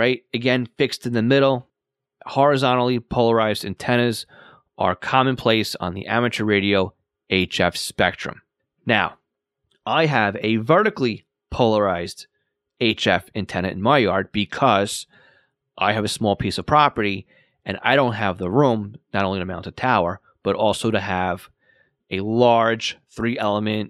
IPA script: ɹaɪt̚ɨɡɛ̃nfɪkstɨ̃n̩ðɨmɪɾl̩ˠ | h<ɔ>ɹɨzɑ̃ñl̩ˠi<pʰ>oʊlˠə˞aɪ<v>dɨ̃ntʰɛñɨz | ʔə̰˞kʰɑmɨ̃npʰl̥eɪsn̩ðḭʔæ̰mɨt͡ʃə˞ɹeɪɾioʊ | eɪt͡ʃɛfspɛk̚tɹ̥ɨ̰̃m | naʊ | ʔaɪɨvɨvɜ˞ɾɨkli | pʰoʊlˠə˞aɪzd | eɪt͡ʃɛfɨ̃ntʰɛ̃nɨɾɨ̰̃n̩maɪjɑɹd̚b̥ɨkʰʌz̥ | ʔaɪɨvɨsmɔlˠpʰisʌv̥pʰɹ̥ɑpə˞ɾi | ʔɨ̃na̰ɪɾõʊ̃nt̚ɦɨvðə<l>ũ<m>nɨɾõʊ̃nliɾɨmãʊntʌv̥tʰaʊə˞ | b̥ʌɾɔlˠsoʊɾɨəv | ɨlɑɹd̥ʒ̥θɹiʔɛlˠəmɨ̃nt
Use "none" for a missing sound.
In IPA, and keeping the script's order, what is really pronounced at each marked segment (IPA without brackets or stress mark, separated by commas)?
ɔ, pʰ, z, ɹ, m